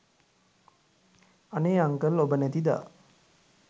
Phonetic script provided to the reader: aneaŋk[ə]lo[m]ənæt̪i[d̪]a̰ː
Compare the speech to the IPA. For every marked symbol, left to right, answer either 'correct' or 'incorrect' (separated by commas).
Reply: correct, incorrect, correct